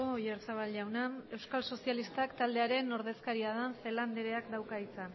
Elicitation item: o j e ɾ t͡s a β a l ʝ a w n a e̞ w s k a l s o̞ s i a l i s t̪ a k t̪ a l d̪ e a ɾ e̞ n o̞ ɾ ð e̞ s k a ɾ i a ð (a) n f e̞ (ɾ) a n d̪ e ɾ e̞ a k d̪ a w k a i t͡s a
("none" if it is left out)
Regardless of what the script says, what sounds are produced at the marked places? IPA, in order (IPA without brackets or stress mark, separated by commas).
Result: a, l